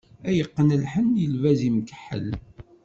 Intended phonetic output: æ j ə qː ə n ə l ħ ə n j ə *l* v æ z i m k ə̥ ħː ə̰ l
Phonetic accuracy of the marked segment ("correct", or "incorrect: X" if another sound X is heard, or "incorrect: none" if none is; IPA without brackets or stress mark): correct